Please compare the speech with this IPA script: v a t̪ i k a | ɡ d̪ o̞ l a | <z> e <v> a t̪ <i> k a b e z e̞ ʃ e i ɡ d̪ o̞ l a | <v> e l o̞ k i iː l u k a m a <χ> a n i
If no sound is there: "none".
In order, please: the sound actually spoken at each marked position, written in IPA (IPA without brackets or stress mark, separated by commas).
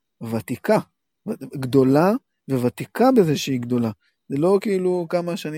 v, v, i, z, ʃ